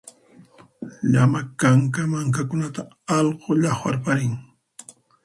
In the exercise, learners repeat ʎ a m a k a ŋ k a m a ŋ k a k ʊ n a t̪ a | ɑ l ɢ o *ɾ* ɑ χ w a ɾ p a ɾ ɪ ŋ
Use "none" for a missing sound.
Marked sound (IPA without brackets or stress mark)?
ʎ